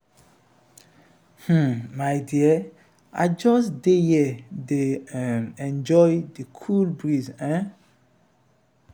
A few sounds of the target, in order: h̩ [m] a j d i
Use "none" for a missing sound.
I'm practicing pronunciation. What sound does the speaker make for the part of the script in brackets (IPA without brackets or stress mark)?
m